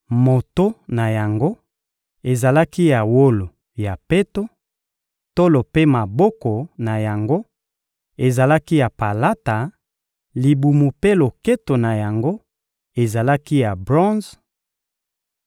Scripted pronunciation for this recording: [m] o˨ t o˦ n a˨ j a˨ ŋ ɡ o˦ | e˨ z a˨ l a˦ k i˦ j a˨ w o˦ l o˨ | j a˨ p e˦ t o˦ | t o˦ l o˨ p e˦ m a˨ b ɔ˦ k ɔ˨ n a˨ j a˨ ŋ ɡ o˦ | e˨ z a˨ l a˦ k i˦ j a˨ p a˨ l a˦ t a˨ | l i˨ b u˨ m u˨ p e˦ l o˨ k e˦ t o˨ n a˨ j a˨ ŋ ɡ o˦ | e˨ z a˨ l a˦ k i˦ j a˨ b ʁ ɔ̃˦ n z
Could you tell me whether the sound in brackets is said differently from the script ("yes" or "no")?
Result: no